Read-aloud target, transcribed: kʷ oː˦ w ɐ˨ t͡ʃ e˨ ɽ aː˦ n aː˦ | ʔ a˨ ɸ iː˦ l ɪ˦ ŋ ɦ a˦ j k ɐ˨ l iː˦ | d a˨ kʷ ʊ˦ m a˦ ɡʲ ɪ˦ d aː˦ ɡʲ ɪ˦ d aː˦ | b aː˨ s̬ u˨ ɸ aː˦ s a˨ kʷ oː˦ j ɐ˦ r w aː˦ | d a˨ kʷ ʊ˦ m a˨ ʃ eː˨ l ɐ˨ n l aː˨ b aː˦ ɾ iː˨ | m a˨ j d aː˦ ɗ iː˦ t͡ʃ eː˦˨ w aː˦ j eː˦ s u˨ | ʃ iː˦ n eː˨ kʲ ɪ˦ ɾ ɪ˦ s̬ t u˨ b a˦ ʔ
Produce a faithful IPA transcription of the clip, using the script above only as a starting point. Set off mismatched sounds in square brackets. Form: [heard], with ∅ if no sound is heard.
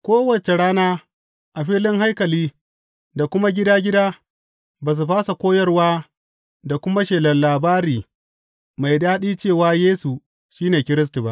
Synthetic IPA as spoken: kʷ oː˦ w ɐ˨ t͡ʃ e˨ ɽ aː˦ n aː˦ | ʔ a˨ ɸ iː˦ l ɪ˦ ŋ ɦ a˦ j k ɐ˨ l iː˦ | d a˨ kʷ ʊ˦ m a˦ ɡʲ ɪ˦ d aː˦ ɡʲ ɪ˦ d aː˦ | b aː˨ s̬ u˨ ɸ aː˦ s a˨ kʷ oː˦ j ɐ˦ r w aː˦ | d a˨ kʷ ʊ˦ m [a˦] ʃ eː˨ l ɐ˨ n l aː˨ b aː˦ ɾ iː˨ | m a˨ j d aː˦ ɗ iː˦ t͡ʃ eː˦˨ w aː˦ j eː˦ s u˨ | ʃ iː˦ n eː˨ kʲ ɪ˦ ɾ ɪ˦ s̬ t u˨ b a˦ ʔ